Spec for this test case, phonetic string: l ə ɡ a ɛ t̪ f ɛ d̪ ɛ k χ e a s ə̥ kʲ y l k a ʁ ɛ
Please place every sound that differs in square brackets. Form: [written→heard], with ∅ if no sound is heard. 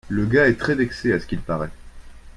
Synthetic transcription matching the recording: l ə ɡ a ɛ t̪ [f→χ] ɛ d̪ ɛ k [χ→s] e a s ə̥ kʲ [y→i] l [k→p] a ʁ ɛ